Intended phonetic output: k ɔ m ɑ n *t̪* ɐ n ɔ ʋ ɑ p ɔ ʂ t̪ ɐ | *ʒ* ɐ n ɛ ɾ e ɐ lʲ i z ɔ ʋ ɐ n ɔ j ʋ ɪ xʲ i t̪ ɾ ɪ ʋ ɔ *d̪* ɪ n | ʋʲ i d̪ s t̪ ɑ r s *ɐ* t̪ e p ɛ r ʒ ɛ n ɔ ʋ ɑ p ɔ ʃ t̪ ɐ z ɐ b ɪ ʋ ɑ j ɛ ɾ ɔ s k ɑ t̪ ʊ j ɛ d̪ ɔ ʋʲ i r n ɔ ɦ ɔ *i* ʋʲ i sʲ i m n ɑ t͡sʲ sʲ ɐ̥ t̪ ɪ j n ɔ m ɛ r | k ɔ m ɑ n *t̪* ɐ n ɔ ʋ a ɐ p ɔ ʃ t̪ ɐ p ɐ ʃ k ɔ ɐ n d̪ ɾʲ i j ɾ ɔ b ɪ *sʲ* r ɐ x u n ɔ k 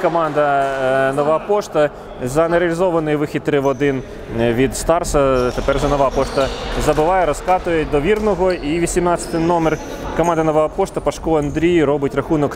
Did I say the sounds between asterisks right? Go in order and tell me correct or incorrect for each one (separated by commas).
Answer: incorrect, incorrect, correct, correct, correct, incorrect, incorrect